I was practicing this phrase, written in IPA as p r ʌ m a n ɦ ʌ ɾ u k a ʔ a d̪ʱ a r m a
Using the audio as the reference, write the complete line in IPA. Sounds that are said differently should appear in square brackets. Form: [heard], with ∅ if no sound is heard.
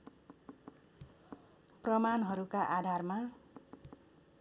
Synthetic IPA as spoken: p r ʌ m a n ɦ ʌ ɾ u k a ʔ a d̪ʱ a r m a

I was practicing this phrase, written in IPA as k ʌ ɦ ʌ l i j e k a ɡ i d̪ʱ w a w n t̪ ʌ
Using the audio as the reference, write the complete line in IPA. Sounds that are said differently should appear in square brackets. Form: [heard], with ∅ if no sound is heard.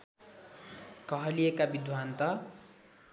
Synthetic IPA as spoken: k ʌ ɦ ʌ l i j e k a [b] i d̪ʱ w a [∅] n t̪ ʌ

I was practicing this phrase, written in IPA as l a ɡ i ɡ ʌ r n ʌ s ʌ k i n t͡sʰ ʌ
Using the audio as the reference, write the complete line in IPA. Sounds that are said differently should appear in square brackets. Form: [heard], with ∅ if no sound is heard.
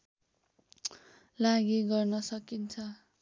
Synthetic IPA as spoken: l a ɡ i ɡ ʌ r n ʌ s ʌ k i n t͡sʰ ʌ

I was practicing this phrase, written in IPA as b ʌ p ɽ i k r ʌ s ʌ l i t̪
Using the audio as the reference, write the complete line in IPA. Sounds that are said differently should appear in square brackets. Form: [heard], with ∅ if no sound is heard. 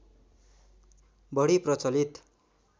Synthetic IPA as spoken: b ʌ [∅] ɽ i [p] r ʌ [t͡s] ʌ l i t̪

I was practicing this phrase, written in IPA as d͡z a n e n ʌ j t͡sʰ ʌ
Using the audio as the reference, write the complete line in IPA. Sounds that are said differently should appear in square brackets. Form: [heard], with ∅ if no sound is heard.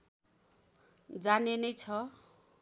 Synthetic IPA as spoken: d͡z a n e n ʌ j t͡sʰ ʌ

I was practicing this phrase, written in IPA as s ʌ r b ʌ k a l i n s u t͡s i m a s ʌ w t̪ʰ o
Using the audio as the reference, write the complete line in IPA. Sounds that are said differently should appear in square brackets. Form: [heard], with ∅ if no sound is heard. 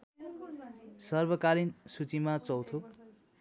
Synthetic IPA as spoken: s ʌ r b ʌ k a l i n s u t͡s i m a [t͡s] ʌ w t̪ʰ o

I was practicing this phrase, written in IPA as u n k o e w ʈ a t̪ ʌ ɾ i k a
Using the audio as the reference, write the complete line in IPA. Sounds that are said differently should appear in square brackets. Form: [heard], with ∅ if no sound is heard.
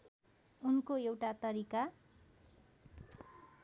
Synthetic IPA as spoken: u n k o e w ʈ a t̪ ʌ ɾ i k a

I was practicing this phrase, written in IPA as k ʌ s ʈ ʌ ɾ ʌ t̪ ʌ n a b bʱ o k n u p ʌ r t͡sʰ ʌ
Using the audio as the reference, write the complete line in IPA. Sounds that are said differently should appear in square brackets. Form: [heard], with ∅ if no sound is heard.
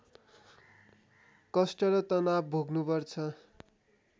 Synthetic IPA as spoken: k ʌ s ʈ ʌ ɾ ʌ t̪ ʌ n a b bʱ o [ɡ] n u p ʌ r t͡sʰ ʌ

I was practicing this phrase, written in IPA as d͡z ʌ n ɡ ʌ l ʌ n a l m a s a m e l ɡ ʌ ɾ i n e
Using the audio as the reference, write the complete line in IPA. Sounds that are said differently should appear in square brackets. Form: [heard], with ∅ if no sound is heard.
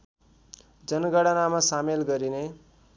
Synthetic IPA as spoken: d͡z ʌ n ɡ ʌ [ɽ] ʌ n a [∅] m a s a m e l ɡ ʌ ɾ i n e

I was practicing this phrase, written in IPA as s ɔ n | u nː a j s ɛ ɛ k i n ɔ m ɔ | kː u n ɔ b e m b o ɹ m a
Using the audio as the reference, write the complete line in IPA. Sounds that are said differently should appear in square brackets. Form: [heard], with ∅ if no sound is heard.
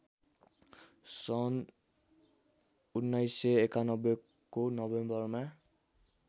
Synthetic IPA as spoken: s ɔ n | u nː a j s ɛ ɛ k [a] n ɔ [b] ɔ | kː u n ɔ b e m b [ɔ] ɹ m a

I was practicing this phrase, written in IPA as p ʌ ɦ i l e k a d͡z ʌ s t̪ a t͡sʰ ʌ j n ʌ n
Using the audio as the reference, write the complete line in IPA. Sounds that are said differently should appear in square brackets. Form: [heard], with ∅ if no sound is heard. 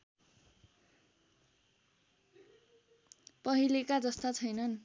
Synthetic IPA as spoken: p ʌ ɦ i l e k a d͡z ʌ s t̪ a t͡sʰ ʌ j n ʌ n

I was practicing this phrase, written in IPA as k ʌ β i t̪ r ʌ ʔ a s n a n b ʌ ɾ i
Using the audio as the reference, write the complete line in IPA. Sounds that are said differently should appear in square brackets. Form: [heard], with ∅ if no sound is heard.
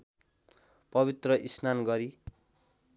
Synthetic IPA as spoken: [p] ʌ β i t̪ r ʌ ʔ [i] s n a n [ɡ] ʌ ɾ i

